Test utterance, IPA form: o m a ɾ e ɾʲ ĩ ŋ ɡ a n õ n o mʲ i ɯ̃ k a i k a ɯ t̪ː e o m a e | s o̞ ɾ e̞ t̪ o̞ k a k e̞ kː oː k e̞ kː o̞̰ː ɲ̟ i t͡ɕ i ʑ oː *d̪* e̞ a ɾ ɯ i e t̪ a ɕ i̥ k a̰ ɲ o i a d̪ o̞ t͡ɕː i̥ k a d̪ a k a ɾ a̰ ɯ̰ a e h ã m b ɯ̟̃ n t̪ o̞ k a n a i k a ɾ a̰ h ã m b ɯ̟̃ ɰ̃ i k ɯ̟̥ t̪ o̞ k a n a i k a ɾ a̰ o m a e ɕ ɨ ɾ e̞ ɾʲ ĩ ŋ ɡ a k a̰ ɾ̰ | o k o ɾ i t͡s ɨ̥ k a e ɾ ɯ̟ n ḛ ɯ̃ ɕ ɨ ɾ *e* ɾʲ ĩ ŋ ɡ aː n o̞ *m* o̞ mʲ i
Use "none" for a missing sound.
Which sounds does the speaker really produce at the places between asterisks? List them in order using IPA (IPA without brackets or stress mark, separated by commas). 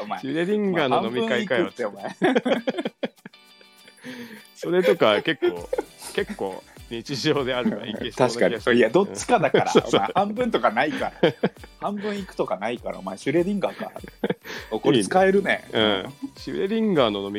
d̪, e, n